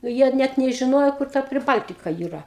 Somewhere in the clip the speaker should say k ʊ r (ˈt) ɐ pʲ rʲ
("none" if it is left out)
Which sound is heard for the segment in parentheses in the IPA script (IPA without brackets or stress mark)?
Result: t